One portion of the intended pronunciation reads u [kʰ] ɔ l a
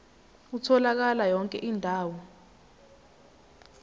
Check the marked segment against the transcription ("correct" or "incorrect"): incorrect